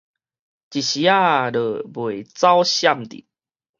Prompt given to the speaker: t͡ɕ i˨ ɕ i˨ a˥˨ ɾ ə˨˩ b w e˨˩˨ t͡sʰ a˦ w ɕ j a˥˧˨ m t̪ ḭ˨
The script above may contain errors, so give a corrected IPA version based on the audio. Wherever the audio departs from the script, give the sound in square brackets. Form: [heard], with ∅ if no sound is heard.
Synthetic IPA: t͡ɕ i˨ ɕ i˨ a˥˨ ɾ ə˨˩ b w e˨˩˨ [t͡s] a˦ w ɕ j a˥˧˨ m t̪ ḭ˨